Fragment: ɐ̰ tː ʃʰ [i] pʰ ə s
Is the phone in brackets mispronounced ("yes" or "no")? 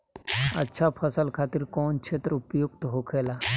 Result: yes